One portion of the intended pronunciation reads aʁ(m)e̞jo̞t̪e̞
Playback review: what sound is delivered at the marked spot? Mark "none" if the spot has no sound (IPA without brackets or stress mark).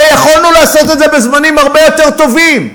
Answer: b